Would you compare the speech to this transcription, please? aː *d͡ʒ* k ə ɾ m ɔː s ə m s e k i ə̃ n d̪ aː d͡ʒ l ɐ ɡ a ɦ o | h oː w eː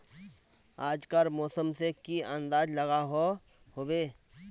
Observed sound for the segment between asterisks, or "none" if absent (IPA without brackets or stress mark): d͡ʒ